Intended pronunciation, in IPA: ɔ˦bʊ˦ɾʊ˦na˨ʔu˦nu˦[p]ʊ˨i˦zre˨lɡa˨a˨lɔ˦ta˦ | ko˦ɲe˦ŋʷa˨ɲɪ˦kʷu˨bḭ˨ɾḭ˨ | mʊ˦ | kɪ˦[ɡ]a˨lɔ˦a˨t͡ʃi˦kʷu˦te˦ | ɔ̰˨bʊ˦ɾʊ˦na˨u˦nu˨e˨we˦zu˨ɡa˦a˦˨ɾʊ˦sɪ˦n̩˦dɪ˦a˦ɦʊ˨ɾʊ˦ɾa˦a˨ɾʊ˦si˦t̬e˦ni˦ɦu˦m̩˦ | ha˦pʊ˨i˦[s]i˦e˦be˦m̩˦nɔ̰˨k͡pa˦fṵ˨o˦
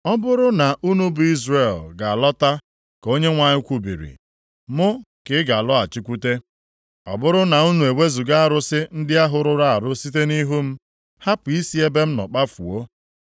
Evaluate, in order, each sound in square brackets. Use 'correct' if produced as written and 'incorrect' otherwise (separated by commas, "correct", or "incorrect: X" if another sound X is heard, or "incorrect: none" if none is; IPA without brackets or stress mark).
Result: incorrect: b, correct, correct